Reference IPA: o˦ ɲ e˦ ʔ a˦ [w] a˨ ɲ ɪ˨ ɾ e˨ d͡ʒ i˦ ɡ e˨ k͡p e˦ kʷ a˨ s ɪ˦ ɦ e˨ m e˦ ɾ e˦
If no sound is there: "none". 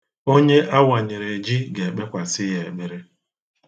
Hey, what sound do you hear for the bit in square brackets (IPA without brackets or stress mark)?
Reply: w